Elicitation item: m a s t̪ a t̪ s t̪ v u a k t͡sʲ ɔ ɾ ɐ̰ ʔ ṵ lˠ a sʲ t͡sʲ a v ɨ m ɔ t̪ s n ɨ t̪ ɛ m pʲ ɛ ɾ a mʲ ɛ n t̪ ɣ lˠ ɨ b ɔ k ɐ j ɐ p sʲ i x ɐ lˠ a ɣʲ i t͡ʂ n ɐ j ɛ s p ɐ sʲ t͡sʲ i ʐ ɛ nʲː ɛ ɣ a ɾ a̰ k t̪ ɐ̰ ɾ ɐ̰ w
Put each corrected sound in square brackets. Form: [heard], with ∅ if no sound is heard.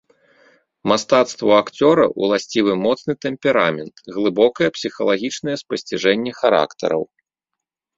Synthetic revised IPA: m a s t̪ a t̪ s t̪ v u a k t͡sʲ ɔ ɾ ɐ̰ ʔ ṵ lˠ a sʲ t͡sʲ [i] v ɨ m ɔ t̪ s n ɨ t̪ ɛ m pʲ ɛ ɾ a mʲ ɛ n t̪ ɣ lˠ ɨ b ɔ k ɐ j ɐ p sʲ i x ɐ lˠ a ɣʲ i t͡ʂ n ɐ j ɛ s p ɐ sʲ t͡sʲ i ʐ ɛ nʲː ɛ [x] a ɾ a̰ k t̪ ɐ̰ ɾ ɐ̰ w